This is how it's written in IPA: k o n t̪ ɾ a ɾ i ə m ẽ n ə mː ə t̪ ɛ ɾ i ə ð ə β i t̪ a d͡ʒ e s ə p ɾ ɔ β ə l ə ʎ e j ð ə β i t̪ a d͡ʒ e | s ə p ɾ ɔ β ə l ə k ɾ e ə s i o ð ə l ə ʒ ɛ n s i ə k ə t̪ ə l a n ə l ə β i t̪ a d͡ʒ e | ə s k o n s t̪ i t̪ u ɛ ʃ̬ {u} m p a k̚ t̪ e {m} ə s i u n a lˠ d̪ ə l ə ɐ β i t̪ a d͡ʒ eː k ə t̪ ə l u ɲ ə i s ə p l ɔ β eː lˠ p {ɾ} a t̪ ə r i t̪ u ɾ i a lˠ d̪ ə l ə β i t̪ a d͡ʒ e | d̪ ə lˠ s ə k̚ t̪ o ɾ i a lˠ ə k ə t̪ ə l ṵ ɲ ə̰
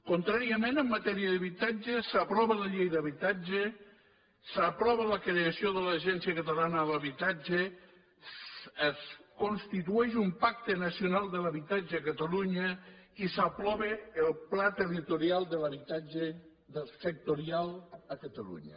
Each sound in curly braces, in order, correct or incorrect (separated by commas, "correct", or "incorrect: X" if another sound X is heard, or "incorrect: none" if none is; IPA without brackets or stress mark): correct, incorrect: n, incorrect: l